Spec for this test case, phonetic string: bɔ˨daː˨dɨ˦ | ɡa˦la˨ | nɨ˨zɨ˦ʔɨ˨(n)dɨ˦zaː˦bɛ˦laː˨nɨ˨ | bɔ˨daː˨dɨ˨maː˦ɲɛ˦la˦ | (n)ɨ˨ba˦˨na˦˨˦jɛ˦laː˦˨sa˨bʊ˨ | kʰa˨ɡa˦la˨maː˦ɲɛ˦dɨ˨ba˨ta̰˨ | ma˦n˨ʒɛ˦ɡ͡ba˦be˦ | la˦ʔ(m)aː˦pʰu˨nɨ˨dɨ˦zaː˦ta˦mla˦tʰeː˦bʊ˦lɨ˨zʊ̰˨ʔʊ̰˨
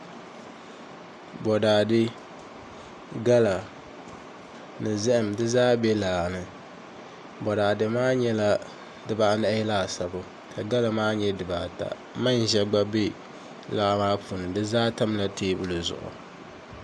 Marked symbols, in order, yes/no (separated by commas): no, no, yes